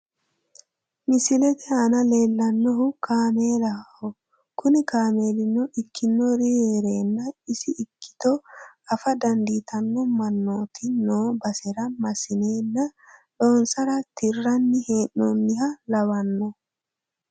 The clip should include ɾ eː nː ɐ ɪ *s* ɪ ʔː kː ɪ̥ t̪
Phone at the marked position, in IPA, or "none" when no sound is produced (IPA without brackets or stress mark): s